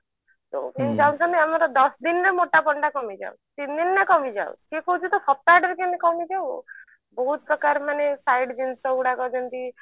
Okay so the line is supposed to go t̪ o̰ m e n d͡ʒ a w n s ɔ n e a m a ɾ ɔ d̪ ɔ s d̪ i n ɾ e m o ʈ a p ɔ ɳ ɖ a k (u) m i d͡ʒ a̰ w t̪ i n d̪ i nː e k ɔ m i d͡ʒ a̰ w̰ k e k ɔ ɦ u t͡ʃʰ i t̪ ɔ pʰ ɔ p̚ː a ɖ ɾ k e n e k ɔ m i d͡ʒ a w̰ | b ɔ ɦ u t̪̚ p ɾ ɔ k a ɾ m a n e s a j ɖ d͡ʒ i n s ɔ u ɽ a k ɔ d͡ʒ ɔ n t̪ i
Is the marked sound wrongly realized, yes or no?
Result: yes